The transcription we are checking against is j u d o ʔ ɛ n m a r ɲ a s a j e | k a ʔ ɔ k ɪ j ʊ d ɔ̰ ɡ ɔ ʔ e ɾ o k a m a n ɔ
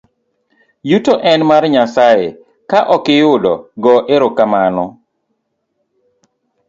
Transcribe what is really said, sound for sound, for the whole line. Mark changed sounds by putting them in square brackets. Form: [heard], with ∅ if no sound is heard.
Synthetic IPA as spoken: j u [t] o ʔ ɛ n m a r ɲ a s a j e | k a ʔ ɔ k ɪ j ʊ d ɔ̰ ɡ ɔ ʔ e ɾ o k a m a n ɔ